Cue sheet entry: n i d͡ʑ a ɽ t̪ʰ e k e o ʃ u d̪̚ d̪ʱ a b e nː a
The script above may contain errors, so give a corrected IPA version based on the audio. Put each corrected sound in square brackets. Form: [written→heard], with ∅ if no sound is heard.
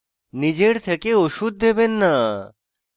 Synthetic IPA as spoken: n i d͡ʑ [a→e] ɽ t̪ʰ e k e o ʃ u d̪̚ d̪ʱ [a→e] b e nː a